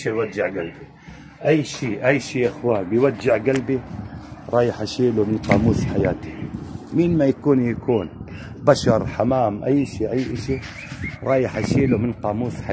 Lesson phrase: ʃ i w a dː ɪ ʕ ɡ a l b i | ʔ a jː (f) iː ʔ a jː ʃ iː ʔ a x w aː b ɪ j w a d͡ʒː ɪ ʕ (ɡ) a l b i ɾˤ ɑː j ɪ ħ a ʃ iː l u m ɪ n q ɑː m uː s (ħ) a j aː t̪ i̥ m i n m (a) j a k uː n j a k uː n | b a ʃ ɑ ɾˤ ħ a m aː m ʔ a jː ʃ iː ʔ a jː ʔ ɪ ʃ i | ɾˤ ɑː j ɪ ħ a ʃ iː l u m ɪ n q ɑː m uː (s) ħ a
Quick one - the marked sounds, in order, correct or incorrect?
incorrect: ʃ, correct, correct, correct, correct

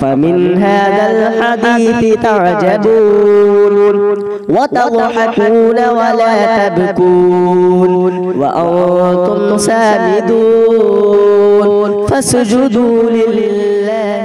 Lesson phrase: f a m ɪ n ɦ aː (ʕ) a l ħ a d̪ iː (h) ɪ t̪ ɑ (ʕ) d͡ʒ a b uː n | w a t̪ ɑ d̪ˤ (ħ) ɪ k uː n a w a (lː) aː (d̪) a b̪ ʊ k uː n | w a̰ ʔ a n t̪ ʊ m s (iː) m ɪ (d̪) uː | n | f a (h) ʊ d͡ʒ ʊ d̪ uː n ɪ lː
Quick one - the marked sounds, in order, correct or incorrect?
incorrect: ð, incorrect: θ, correct, correct, incorrect: l, incorrect: t̪, incorrect: aː, correct, incorrect: s

